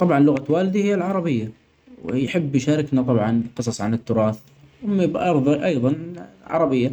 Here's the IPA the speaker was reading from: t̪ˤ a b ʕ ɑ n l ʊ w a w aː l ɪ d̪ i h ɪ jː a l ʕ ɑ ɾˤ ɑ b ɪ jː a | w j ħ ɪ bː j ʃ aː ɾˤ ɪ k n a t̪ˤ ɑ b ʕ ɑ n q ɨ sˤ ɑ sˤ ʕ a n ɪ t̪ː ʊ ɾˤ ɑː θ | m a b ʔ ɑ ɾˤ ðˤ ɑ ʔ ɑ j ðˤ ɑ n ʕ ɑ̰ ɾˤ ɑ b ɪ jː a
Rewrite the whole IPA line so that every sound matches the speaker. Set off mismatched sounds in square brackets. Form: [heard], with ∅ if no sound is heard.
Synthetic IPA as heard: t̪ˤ [ɑ] b ʕ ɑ n l ʊ [ɣ] a w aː l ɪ d̪ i h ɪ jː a l ʕ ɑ ɾˤ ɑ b ɪ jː a | w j ħ ɪ bː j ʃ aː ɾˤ ɪ k n a t̪ˤ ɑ b ʕ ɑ n q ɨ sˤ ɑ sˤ ʕ a n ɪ t̪ː ʊ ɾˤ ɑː θ | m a b ʔ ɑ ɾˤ ðˤ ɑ ʔ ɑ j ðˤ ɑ n ʕ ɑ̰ ɾˤ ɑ b ɪ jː a